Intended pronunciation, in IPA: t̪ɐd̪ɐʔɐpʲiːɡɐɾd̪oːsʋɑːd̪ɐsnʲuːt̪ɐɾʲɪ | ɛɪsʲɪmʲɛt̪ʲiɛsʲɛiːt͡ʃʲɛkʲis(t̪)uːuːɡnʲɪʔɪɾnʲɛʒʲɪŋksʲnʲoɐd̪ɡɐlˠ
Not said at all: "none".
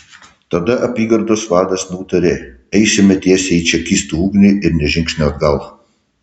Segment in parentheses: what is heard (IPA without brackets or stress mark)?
t̪